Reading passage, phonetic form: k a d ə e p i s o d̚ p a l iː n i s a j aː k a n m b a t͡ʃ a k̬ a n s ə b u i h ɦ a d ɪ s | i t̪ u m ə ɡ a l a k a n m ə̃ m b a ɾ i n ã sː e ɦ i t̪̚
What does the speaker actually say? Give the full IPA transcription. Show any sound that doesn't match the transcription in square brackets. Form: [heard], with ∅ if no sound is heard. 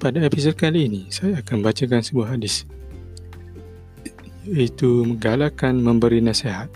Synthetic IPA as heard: [p] a d [a] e p i s o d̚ [k] a l iː n i s a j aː k a n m b a t͡ʃ a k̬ a n s ə b u [a] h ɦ a d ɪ s | i t̪ u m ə ɡ a l a k a n m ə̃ m b [ə] ɾ i n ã [s] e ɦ [a] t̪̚